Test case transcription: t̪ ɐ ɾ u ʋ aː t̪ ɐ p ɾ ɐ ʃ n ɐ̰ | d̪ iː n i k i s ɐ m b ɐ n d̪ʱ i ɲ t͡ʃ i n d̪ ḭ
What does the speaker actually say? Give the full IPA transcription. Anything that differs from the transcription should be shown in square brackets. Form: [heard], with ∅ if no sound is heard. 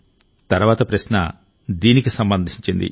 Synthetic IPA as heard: t̪ ɐ ɾ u ʋ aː t̪ ɐ p ɾ ɐ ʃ n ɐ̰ | d̪ iː n i k i s ɐ m b ɐ n d̪ʱ i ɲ t͡ʃ i n d̪ ḭ